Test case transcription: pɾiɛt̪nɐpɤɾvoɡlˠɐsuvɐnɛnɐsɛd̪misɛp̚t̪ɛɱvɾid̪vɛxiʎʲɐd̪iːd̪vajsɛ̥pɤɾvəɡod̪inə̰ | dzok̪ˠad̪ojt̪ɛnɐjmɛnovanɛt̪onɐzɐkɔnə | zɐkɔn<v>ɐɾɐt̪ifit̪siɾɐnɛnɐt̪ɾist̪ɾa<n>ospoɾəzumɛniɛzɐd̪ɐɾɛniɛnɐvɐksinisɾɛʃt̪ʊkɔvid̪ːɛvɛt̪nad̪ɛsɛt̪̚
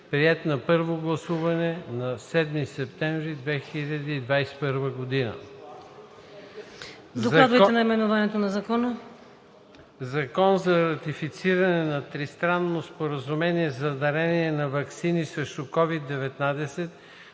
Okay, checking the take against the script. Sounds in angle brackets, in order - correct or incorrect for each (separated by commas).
incorrect, incorrect